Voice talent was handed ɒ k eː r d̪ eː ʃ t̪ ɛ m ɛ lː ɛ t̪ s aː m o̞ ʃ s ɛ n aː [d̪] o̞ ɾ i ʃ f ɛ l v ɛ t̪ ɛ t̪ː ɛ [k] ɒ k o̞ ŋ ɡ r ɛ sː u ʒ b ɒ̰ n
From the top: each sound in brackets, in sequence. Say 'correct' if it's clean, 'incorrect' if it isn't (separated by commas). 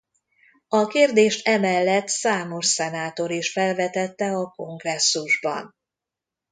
incorrect, incorrect